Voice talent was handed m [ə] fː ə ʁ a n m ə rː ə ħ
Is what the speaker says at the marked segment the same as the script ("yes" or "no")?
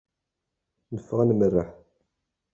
yes